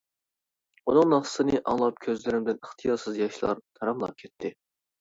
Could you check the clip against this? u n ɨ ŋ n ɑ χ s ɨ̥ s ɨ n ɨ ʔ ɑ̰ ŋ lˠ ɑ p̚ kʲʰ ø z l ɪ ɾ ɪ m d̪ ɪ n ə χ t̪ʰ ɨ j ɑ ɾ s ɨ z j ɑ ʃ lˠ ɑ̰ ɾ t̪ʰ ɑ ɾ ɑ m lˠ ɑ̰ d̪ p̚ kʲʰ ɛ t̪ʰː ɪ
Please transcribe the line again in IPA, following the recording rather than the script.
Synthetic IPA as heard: u n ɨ ŋ n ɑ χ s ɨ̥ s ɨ n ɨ ʔ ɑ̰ ŋ lˠ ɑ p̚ kʲʰ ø z l ɪ ɾ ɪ m d̪ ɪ n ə χ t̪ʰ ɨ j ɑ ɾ s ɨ z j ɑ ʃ lˠ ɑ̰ ɾ t̪ʰ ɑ ɾ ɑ m lˠ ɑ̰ p̚ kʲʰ ɛ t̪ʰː ɪ